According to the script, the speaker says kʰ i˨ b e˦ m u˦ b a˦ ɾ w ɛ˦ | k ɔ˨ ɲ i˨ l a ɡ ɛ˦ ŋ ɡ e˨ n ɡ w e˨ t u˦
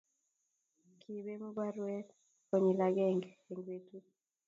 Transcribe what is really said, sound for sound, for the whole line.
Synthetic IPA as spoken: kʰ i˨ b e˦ m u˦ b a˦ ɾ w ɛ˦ | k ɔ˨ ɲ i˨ l a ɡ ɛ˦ ŋ ɡ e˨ ŋ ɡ w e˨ t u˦